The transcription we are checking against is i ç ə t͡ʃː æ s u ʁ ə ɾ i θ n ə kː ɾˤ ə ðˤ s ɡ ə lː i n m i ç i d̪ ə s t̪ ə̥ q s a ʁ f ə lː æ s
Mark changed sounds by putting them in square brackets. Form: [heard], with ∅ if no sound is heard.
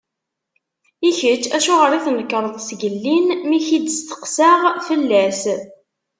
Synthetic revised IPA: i ç ə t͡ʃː æ [ʃ] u ʁ ə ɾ i θ n ə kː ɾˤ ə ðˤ s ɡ ə lː i n m i ç i d̪ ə s t̪ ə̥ q s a ʁ f ə lː æ s